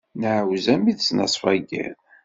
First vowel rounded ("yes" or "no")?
no